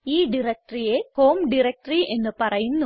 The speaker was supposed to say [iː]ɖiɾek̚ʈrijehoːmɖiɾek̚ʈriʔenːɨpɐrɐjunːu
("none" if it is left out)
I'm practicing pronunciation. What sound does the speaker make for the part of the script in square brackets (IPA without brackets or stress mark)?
iː